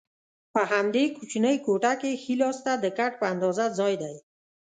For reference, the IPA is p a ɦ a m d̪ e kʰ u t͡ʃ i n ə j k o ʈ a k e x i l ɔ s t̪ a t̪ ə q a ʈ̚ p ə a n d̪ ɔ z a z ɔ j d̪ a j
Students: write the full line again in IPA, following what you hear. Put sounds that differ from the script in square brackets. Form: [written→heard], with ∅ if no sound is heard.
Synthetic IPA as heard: p a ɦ a m d̪ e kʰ u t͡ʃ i n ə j k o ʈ a k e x i l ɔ s t̪ a [t̪→d̪] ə [q→k] a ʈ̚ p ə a n d̪ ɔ z a z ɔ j d̪ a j